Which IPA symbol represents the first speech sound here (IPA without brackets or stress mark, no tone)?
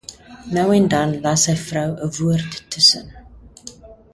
n